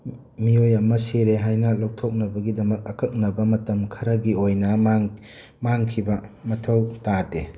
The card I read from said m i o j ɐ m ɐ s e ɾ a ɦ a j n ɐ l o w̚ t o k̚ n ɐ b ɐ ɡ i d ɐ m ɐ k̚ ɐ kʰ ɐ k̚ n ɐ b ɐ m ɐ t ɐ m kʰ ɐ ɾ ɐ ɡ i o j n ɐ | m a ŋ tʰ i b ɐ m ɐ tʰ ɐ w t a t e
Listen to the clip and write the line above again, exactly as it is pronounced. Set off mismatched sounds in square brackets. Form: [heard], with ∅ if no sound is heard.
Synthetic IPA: m i o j ɐ m ɐ s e ɾ [e] ɦ a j n ɐ l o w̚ [tʰ] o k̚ n ɐ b ɐ ɡ i d ɐ m ɐ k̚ ɐ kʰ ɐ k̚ n ɐ b ɐ m ɐ t ɐ m kʰ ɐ ɾ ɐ ɡ i o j n ɐ | m a ŋ [kʰ] i b ɐ m ɐ tʰ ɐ w t a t e